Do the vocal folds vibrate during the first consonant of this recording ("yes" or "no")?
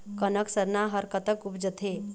no